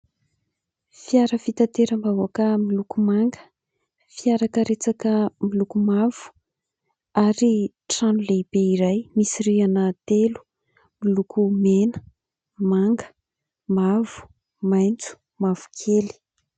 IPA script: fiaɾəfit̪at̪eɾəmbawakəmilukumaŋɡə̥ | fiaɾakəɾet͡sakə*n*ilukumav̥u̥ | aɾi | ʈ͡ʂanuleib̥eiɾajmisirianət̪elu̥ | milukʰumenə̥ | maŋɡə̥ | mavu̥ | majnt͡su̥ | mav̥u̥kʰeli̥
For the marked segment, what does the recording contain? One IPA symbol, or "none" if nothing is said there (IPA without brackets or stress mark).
m